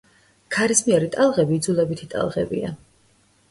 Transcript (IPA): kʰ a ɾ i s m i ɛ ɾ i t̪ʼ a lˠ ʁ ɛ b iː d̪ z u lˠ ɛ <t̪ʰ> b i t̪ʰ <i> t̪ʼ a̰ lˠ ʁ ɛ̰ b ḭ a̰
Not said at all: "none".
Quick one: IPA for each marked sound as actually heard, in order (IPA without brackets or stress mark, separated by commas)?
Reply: none, i